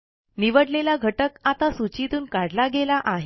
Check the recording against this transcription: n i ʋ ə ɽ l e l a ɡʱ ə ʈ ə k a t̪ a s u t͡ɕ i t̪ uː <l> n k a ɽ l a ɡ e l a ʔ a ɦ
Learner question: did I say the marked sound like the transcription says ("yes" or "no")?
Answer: no